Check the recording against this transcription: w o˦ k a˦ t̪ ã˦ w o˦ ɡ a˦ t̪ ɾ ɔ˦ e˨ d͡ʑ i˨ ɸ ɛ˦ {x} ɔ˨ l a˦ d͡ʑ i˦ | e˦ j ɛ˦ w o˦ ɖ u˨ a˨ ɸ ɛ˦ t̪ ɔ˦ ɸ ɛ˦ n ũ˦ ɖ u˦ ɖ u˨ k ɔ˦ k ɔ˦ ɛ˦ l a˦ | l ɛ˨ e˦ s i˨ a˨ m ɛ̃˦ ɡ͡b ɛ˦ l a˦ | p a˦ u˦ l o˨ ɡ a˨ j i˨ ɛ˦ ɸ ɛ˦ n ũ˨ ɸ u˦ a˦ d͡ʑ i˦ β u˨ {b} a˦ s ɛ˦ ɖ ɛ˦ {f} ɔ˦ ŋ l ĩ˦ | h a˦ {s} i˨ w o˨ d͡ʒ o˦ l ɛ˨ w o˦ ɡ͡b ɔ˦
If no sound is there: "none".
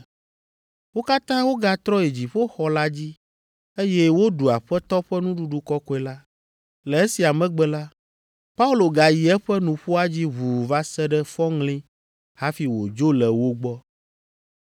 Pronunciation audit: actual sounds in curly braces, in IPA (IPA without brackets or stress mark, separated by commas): x, v, f, f